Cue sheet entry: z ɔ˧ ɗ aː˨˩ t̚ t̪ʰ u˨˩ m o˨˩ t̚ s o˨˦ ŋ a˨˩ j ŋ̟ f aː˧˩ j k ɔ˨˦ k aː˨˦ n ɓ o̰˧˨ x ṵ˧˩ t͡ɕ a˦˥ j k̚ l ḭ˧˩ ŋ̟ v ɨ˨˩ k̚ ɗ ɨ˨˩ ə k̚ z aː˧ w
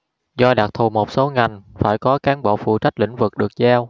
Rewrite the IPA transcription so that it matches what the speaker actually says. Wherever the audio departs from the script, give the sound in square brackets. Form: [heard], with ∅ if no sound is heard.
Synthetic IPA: z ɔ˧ ɗ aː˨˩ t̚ t̪ʰ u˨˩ m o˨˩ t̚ s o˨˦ ŋ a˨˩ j ŋ̟ f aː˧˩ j k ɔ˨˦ k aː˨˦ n ɓ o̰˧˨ [f] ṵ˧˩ t͡ɕ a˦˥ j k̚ l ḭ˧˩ ŋ̟ v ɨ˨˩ k̚ ɗ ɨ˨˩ ə k̚ z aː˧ w